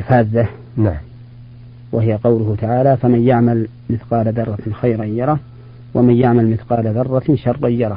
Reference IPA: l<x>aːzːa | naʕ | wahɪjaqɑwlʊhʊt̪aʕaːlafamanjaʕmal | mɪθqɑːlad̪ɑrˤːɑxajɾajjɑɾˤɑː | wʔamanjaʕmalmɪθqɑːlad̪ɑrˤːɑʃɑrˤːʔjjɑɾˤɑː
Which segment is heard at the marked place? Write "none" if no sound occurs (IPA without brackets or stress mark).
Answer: f